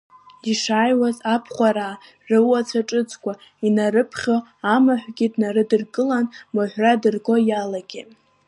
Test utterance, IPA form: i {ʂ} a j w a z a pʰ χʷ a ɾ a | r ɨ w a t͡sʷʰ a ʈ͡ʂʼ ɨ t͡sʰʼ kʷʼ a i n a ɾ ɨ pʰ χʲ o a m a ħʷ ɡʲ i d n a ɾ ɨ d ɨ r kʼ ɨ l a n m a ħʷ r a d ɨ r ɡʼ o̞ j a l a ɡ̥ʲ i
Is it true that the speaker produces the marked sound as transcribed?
yes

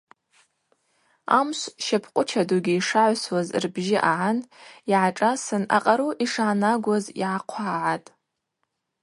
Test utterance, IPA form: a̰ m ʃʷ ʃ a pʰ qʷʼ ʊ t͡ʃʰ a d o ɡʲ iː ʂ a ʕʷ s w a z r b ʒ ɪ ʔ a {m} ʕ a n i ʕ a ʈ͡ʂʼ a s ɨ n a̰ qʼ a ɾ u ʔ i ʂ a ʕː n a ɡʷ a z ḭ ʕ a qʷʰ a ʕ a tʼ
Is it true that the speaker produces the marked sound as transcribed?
no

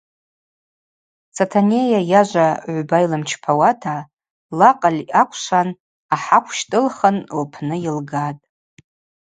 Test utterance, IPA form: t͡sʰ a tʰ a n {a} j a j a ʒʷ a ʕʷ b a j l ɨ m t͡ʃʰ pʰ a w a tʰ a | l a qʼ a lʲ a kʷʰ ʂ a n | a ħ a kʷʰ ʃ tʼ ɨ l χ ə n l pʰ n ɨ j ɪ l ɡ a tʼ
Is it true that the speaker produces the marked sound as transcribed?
no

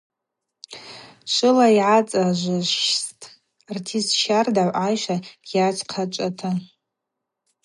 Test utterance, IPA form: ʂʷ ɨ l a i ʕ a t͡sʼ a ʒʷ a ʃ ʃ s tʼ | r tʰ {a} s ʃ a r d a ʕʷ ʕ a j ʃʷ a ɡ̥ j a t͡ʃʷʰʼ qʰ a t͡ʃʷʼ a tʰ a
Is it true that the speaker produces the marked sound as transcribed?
no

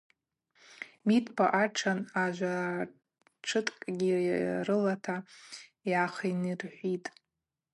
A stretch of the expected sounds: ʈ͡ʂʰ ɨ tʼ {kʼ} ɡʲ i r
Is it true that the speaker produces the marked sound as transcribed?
yes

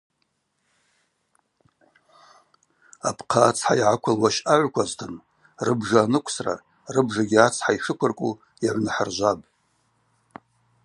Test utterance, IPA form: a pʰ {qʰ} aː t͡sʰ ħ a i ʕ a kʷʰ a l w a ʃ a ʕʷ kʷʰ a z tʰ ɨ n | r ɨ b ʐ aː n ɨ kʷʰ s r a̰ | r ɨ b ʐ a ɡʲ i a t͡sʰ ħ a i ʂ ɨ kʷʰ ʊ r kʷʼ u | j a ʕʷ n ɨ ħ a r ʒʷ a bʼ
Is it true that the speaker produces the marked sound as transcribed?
yes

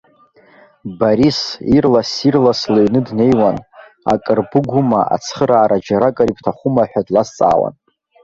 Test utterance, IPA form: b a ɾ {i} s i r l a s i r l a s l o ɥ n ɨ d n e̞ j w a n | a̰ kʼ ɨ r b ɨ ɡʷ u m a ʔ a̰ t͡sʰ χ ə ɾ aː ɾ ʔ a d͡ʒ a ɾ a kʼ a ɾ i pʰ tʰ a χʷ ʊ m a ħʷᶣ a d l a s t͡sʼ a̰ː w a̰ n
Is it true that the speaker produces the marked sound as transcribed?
yes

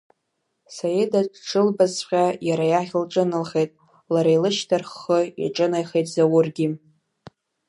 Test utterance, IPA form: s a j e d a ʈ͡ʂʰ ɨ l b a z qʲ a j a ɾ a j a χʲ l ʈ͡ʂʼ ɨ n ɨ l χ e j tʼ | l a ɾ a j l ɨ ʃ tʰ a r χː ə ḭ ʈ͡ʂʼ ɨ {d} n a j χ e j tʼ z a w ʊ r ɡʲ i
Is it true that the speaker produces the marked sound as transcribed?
no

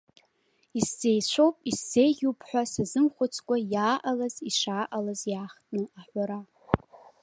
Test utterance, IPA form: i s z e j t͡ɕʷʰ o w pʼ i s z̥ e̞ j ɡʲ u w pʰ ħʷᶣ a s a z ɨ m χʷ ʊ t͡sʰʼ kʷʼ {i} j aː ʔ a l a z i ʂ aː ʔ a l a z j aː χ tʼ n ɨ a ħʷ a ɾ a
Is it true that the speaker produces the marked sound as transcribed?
no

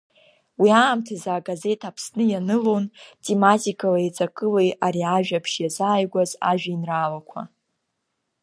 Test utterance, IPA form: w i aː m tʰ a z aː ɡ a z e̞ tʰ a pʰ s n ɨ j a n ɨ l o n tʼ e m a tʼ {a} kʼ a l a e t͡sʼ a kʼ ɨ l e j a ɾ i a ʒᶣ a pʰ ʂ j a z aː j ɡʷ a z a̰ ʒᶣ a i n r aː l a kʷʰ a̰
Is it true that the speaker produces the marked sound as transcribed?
no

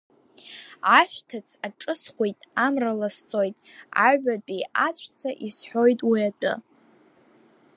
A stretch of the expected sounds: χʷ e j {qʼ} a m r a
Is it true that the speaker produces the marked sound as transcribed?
no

